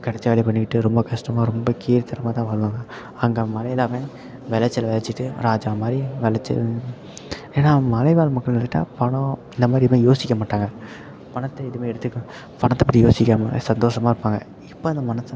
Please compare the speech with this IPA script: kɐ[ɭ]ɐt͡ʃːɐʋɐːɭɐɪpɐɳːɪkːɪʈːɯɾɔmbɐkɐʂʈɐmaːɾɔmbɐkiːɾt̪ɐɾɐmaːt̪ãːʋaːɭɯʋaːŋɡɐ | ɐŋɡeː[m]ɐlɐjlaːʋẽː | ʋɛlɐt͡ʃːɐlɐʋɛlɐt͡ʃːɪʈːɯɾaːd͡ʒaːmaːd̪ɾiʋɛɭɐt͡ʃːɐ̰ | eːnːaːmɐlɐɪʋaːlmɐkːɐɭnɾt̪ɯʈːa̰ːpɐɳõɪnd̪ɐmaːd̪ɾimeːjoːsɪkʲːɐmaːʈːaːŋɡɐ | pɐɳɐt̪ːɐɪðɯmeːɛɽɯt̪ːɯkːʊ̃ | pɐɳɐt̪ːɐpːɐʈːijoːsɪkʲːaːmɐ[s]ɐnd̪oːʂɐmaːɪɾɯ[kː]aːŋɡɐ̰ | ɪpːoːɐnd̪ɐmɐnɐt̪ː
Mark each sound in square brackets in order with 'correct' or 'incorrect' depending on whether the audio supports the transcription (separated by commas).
incorrect, correct, correct, incorrect